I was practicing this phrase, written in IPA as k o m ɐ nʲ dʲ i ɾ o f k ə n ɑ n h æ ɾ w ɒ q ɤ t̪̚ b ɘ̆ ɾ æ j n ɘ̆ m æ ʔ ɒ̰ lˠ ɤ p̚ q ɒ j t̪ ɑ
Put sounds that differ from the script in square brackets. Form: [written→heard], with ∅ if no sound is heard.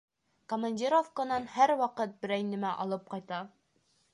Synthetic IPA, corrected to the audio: k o m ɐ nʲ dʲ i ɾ o f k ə n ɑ n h æ ɾ w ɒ q ɤ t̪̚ b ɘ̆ ɾ æ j n ɘ̆ m æ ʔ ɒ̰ lˠ ɤ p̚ q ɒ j t̪ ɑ